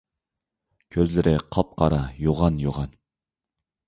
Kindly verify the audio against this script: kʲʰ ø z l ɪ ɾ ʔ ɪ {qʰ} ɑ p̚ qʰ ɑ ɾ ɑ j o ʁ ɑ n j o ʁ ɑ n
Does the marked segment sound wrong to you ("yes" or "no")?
no